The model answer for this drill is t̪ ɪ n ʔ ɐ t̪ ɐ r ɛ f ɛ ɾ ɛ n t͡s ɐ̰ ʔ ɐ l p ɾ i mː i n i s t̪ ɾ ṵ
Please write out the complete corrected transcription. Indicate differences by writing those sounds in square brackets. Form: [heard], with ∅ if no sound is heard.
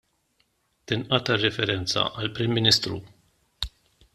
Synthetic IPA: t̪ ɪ n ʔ ɐ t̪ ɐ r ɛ f ɛ ɾ ɛ n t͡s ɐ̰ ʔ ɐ l p ɾ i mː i n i s t̪ ɾ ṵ